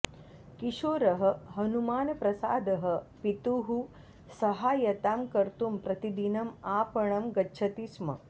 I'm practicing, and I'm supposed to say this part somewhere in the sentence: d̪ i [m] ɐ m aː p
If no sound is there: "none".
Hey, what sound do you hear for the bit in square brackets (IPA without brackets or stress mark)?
n